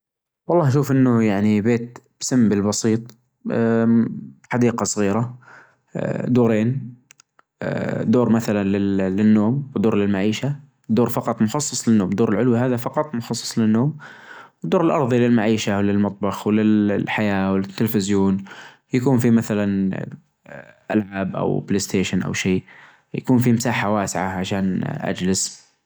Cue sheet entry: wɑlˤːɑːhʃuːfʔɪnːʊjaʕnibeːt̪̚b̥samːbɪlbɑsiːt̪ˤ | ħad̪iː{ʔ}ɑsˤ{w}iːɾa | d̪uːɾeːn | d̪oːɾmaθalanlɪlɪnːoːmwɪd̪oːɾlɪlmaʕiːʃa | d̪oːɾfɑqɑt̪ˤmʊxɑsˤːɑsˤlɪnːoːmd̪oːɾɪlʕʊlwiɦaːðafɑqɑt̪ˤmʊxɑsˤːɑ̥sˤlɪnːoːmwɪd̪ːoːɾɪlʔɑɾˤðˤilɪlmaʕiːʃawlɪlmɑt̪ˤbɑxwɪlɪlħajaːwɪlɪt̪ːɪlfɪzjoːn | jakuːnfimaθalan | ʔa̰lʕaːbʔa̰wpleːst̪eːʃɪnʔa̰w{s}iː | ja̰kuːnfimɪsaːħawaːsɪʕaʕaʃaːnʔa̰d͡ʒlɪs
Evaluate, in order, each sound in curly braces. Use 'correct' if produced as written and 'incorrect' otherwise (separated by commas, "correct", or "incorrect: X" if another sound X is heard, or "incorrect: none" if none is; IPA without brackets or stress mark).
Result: incorrect: q, incorrect: ɣ, incorrect: ʃ